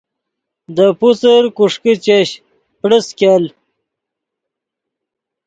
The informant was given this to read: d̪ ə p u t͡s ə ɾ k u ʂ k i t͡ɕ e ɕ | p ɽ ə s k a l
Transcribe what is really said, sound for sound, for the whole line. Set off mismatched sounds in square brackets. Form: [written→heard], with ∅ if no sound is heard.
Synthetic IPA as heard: d̪ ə p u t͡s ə ɾ k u ʂ k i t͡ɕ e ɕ | p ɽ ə s k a l

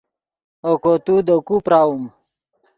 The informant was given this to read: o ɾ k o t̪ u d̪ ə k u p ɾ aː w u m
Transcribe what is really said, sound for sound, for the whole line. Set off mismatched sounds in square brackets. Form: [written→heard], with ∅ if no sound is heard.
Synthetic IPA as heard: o [ɾ→∅] k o t̪ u d̪ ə k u p ɾ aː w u m

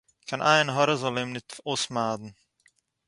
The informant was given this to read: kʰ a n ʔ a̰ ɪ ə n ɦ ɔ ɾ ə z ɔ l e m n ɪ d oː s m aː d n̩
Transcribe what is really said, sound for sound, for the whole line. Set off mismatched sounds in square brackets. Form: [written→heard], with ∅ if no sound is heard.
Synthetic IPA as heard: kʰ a n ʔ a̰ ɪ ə n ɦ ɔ ɾ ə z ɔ l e m n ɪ [d→t] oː s m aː d n̩

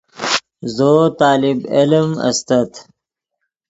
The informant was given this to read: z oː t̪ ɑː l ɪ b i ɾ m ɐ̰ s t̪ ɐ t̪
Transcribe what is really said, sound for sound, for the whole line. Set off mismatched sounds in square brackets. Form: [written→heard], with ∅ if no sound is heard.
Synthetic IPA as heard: z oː t̪ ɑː l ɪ b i [ɾ→l] m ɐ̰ s t̪ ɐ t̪

